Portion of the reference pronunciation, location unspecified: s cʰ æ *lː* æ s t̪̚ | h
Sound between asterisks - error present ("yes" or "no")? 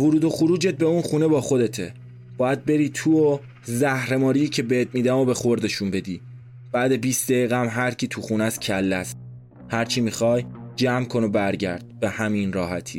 no